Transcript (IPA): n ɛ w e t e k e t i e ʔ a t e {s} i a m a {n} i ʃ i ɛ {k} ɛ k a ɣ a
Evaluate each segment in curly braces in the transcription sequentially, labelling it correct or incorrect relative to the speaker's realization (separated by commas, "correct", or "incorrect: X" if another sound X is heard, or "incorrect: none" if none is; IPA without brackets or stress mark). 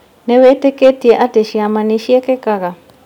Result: incorrect: ʃ, correct, correct